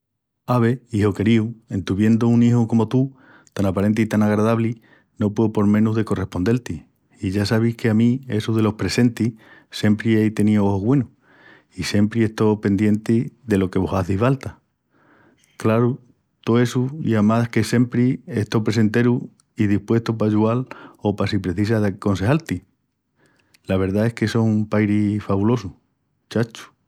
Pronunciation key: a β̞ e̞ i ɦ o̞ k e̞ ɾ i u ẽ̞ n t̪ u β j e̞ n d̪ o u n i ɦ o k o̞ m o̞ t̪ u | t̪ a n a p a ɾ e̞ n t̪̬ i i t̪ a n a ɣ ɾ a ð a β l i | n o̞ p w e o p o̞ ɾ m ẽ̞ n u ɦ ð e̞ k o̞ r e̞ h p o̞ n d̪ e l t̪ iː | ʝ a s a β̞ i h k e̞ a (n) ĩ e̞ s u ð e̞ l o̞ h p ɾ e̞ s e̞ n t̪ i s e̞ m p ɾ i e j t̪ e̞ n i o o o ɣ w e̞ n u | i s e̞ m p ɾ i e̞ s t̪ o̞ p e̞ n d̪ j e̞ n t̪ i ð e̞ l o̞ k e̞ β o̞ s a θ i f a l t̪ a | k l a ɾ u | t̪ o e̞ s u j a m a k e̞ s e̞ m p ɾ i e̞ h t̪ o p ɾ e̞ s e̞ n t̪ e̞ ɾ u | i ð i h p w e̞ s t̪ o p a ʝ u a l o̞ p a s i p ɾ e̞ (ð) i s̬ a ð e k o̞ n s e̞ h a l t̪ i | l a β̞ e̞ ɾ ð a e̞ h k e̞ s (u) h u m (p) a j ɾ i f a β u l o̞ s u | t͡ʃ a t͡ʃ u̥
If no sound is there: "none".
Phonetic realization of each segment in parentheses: m, θ, o, p

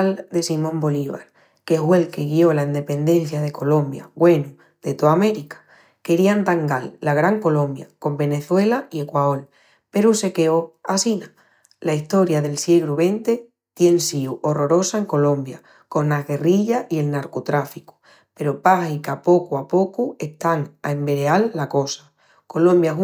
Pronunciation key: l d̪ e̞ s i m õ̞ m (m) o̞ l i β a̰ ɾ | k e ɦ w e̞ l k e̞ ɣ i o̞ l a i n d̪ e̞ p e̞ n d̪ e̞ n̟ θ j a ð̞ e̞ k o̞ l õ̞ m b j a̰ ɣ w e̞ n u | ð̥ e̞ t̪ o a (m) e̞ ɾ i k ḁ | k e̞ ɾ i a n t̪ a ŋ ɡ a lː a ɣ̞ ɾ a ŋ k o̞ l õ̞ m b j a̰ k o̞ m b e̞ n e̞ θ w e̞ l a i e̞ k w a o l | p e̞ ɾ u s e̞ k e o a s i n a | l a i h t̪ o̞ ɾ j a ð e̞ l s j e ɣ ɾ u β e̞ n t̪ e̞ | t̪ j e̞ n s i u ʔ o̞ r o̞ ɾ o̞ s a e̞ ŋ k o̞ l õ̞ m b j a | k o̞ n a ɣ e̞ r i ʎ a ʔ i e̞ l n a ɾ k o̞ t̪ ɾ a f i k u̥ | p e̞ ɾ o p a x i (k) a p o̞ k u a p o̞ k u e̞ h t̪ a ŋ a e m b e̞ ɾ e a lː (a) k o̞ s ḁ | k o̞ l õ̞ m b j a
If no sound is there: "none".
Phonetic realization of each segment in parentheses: b, m, k, a

